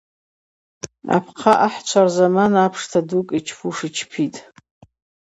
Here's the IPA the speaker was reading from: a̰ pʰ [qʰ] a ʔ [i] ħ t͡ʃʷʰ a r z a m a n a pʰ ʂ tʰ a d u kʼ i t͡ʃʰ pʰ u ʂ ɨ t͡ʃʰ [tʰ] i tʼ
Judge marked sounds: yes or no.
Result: yes, no, no

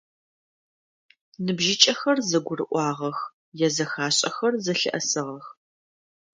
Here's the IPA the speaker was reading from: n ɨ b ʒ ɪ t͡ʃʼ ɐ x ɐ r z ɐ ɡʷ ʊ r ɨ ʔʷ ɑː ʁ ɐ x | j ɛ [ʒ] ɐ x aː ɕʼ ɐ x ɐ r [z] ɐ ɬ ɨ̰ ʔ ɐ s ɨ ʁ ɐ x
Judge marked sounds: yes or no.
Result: no, yes

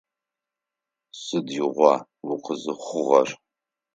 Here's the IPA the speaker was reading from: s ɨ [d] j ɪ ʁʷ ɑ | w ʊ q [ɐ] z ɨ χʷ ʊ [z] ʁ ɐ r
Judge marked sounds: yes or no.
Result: yes, no, no

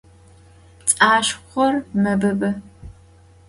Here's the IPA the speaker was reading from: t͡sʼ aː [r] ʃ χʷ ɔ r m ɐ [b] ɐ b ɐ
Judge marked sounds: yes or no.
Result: no, yes

